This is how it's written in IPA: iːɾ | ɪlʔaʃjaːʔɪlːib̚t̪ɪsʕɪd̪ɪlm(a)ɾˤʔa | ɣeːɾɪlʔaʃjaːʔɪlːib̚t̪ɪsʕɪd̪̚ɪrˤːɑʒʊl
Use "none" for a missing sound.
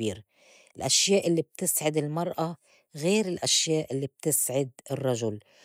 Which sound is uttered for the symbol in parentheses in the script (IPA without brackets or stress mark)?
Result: ɑ